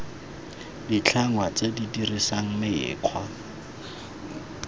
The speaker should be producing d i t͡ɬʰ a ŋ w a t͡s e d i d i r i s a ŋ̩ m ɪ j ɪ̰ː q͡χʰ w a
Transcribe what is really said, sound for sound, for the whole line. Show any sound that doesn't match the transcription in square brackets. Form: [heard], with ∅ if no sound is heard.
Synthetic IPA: d i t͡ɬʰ a ŋ w a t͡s e d i d i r i s a ŋ̩ m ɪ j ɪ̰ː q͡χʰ w a